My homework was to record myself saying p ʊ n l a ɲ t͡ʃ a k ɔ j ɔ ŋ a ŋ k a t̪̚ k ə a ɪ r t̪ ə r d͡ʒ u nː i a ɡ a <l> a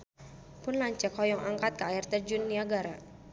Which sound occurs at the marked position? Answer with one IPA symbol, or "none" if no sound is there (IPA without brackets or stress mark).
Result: ɾ